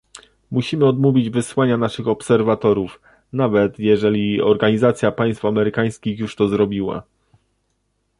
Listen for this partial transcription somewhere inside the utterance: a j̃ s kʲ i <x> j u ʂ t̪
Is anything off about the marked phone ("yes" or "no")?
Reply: no